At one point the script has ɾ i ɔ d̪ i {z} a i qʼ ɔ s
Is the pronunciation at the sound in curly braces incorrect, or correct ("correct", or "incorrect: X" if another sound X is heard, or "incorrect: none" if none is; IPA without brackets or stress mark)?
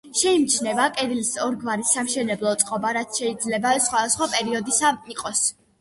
incorrect: s